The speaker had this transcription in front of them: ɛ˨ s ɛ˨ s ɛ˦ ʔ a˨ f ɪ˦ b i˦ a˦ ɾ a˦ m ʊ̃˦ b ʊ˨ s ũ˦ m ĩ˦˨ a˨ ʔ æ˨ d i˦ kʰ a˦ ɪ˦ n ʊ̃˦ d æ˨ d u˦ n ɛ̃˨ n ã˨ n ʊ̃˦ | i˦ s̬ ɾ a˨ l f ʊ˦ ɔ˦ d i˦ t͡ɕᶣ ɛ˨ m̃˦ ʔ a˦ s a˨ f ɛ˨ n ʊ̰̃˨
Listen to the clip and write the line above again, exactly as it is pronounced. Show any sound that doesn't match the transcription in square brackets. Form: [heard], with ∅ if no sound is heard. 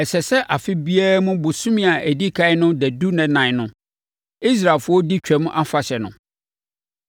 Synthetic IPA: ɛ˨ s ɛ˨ s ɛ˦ ʔ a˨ f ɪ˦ b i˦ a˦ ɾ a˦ m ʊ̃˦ b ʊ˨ s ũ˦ m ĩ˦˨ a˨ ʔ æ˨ d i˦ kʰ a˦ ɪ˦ n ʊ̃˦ d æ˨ d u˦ n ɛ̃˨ n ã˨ n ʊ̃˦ | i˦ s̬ ɾ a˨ l f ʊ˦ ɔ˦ d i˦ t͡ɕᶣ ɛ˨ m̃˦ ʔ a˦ [f] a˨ [ɕ] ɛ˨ n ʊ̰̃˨